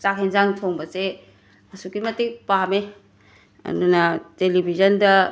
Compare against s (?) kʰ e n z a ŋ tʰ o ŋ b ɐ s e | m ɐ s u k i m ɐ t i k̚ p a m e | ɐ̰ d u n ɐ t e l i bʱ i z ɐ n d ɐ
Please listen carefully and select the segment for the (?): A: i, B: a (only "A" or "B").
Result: B